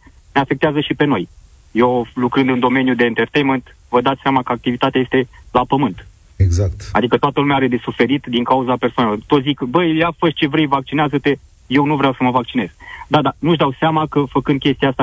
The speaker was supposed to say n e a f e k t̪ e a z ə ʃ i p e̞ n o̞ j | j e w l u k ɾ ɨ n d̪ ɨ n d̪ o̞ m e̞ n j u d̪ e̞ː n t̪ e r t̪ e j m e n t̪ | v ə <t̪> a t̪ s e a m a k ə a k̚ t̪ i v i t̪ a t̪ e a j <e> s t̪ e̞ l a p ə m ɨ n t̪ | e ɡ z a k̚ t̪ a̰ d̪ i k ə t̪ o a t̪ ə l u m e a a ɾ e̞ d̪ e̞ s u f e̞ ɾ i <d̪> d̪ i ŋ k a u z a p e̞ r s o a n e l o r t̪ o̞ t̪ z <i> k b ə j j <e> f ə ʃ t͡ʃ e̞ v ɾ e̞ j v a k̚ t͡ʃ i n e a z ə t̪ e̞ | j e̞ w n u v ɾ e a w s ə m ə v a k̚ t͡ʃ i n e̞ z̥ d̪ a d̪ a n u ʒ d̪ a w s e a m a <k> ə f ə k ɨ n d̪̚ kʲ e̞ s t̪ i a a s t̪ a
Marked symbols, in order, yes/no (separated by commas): no, yes, no, yes, no, yes